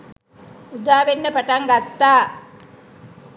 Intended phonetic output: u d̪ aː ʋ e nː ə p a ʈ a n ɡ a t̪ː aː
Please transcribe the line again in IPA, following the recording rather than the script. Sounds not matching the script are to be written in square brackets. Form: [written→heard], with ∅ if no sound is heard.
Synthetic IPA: u d̪ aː ʋ e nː ə p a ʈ a [n→ŋ] ɡ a t̪ː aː